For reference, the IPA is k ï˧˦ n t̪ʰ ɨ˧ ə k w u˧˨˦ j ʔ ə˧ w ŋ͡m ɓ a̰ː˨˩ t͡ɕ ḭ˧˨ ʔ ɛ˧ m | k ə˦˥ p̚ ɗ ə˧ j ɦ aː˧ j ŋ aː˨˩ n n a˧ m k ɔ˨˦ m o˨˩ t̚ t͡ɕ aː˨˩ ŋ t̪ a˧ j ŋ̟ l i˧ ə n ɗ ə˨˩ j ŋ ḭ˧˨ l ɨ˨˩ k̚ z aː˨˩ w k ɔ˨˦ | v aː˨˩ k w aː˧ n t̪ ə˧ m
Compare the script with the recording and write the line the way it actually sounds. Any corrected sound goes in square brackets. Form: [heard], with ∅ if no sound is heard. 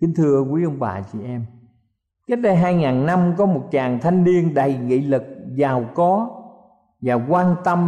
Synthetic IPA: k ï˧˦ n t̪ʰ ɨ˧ ə k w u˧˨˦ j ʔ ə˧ w ŋ͡m ɓ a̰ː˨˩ t͡ɕ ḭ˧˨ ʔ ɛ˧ m | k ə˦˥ [t̚] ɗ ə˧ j ɦ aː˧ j ŋ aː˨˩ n n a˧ m k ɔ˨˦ m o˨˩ t̚ t͡ɕ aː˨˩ ŋ [t̪ʰ] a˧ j ŋ̟ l i˧ ə n ɗ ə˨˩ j ŋ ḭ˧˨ l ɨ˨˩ k̚ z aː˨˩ w k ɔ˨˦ | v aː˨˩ k w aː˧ n t̪ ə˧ m